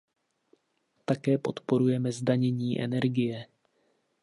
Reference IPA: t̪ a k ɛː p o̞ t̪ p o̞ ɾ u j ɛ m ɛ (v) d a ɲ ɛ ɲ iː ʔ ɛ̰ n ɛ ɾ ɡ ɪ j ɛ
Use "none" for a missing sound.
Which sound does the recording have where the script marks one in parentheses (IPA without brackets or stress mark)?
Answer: z